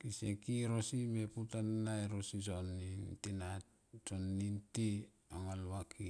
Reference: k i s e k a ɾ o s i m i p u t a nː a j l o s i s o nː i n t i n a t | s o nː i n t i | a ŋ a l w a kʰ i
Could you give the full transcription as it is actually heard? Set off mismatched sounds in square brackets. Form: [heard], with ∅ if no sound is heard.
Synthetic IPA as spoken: k i s e k [i] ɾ o s i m [e] p u t a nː a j [ɾ] o s i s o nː i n t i n a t | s o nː i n t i | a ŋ a l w a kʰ i

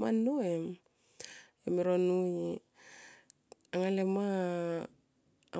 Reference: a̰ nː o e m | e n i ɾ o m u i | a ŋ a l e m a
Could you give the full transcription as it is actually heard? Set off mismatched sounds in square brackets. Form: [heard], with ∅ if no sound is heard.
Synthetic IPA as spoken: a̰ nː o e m | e [m] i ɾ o [n] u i | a ŋ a l e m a

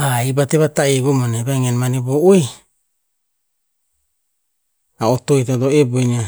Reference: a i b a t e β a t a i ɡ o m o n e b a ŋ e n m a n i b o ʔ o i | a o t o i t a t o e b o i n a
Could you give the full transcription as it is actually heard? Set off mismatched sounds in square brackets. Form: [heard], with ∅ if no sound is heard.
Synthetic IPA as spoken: a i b a t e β a t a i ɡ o m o n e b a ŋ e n m a n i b o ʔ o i | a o t o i t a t o e b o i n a

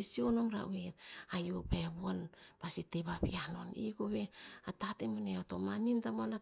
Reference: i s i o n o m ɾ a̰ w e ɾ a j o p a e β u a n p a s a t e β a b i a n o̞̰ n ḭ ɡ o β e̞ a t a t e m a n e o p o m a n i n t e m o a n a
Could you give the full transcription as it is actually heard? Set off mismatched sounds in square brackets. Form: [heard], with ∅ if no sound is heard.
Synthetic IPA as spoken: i s i o n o m ɾ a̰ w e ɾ a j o p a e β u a n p a s [i] t e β a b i a n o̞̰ n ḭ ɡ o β e̞ a t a t e m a n e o [t] o m a n i n t [a] m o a n a

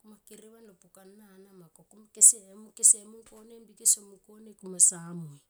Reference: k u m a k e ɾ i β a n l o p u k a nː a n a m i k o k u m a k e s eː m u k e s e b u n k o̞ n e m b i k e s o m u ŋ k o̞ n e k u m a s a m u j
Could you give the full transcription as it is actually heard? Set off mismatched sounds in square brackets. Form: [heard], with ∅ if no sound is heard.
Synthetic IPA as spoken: k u m a k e ɾ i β a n l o p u k a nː a n a m [a] k o k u m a k e s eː m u k e s e [m] u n k o̞ n e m b i k e s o m u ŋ k o̞ n e k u m a s a m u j

